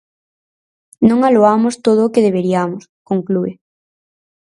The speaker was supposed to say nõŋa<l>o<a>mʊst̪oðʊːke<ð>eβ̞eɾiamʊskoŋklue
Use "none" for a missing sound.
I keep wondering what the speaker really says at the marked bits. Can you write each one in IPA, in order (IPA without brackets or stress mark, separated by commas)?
l, a, ð